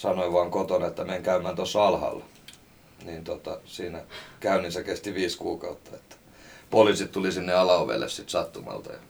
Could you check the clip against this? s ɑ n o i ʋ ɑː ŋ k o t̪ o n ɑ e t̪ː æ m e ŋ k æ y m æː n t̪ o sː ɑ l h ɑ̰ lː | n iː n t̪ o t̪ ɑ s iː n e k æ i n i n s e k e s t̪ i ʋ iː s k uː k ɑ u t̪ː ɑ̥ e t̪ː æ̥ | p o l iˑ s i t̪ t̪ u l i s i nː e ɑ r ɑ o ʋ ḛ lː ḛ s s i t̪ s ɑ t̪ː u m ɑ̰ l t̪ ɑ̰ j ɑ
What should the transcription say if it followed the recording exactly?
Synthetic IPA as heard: s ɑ n o i ʋ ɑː ŋ k o t̪ o n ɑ e t̪ː æ m e ŋ k æ y m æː n t̪ o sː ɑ l h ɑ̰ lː | n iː n t̪ o t̪ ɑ s iː n æ k æ y n i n s e k e s t̪ i ʋ iː s k uː k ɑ u t̪ː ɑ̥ e t̪ː æ̥ | p o l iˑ s i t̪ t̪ u l i s i nː e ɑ l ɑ o ʋ ḛ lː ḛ s s i t̪ s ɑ t̪ː u m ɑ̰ l t̪ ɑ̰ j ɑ